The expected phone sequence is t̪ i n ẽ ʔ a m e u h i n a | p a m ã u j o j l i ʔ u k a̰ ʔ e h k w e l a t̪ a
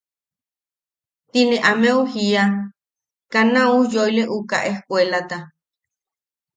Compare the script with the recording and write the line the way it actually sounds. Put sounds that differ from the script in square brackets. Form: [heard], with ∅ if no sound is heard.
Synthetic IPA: t̪ i n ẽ ʔ a m e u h i [∅] a | [k] a [n] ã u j o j l [e] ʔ u k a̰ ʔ e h k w e l a t̪ a